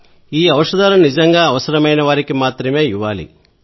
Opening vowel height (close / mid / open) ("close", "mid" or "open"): close